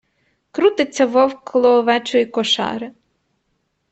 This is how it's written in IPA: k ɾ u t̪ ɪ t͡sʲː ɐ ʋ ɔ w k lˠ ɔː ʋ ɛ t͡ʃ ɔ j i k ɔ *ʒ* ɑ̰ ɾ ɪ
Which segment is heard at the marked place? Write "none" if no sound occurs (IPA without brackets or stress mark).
ʃ